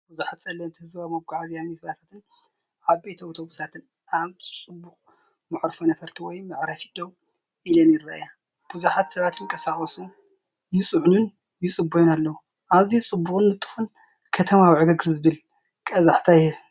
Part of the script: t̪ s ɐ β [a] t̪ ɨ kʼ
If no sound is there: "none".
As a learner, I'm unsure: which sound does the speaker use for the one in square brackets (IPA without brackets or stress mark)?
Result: a